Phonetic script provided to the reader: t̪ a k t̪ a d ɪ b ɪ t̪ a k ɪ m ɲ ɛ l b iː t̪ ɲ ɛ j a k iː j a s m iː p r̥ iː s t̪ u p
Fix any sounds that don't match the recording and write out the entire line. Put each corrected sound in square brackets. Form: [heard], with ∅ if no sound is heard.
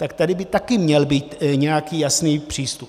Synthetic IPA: t̪ a k t̪ a d ɪ b ɪ t̪ a k ɪ m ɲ ɛ l b iː t̪ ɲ ɛ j a k iː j a s [n] iː p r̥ iː s t̪ u p